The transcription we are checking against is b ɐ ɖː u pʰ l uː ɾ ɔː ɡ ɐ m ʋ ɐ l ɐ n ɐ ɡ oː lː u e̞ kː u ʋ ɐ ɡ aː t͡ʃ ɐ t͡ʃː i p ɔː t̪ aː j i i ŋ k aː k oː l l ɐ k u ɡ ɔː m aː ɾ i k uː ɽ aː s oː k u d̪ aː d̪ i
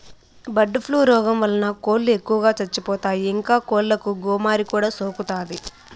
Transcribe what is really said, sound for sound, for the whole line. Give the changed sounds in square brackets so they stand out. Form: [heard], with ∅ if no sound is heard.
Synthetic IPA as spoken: b ɐ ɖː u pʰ l uː ɾ ɔː ɡ ɐ m ʋ ɐ l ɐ n ɐ [k] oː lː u e̞ kː u ʋ ɐ ɡ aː t͡ʃ ɐ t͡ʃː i p ɔː t̪ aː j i i ŋ k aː k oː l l ɐ k u ɡ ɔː m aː ɾ i k uː ɽ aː s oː k u [t̪] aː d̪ i